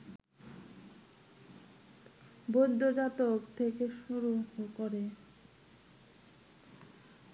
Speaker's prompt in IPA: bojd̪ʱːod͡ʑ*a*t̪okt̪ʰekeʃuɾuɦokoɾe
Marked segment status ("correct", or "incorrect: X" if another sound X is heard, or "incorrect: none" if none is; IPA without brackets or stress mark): correct